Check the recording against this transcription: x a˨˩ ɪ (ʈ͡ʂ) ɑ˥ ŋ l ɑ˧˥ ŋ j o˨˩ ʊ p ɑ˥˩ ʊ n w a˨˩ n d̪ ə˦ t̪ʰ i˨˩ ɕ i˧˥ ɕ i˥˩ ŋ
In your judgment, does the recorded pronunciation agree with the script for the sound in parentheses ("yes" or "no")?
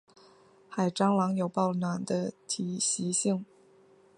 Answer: yes